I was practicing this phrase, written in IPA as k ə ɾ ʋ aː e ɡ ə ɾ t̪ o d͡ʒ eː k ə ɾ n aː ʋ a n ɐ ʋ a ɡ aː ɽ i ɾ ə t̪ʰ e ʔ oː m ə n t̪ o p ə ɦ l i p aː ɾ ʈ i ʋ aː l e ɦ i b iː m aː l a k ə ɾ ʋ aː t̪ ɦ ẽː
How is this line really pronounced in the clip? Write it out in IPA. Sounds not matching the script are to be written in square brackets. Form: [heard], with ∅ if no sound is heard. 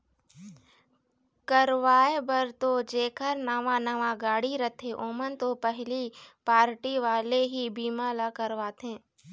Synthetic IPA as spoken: k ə ɾ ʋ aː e [b] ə ɾ t̪ o d͡ʒ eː k ə ɾ n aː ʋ a n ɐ ʋ a ɡ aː ɽ i ɾ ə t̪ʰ e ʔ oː m ə n t̪ o p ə ɦ l i p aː ɾ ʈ i ʋ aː l e ɦ i b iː m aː l a k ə ɾ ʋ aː t̪ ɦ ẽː

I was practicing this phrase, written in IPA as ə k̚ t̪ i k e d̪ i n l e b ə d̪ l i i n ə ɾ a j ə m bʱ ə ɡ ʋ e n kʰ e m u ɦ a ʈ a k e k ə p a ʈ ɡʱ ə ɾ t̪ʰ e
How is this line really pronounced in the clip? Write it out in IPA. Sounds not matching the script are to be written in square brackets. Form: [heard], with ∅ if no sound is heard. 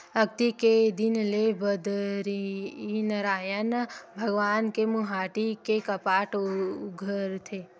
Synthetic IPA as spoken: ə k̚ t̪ i k e d̪ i n l e b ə d̪ [ɾ] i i n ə ɾ a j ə [n] bʱ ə ɡ ʋ [a] n [k] e m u ɦ a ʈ [i] k e k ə p a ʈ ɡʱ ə ɾ t̪ʰ e

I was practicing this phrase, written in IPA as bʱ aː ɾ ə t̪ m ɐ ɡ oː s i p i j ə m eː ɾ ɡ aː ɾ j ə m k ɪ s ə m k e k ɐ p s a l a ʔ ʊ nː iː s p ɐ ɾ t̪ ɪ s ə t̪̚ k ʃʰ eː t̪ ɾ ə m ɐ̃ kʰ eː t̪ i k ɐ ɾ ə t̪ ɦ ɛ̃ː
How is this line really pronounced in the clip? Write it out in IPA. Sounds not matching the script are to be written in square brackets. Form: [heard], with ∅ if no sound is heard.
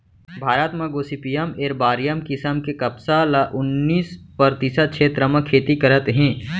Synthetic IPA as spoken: bʱ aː ɾ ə t̪ m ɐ ɡ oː s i p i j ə m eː ɾ [b] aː ɾ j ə m k ɪ s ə m k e k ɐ p s a l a ʔ ʊ nː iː s p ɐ ɾ t̪ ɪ s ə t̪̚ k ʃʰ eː t̪ ɾ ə m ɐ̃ kʰ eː t̪ i k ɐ ɾ ə t̪ ɦ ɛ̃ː

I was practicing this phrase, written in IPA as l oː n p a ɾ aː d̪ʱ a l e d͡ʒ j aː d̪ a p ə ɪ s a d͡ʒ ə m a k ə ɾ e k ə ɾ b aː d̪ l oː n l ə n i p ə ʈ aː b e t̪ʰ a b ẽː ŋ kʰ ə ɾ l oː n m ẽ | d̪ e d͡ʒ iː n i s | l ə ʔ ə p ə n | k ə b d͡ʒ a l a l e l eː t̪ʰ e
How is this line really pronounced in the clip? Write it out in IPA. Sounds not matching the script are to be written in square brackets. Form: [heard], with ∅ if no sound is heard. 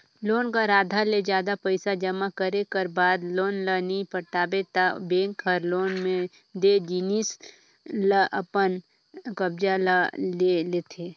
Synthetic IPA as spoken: l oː n [k] a ɾ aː d̪ʱ a l e d͡ʒ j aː d̪ a p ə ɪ s a d͡ʒ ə m a k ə ɾ e k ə ɾ b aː d̪ l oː n l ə n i p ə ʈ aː b e [t̪] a b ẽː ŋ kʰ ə ɾ l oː n m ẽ | d̪ e d͡ʒ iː n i s | l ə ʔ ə p ə n | k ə b d͡ʒ a l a l e l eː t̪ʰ e

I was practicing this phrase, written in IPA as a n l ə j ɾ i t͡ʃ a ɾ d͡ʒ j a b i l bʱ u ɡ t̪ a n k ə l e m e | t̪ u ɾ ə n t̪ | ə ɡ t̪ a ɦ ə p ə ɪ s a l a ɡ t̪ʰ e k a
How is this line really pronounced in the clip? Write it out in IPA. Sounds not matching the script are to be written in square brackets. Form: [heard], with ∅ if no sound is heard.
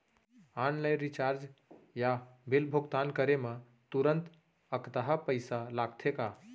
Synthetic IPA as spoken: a n l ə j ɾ i t͡ʃ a ɾ d͡ʒ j a b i l bʱ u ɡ t̪ a n k ə [ɾ] e m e | t̪ u ɾ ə n t̪ | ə [k] t̪ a ɦ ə p ə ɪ s a l a ɡ t̪ʰ e k a

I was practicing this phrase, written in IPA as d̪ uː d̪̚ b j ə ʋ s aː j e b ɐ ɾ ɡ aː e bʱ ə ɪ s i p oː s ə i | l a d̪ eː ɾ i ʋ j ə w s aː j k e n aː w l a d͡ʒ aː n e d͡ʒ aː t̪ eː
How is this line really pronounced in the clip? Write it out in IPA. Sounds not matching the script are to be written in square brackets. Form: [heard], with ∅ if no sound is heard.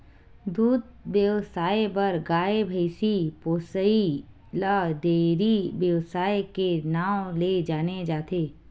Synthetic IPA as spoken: d̪ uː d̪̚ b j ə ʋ s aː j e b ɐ ɾ ɡ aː e bʱ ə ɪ s i p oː s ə i | l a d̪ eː ɾ i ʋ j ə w s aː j k e n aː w l [e] d͡ʒ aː n e d͡ʒ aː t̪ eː

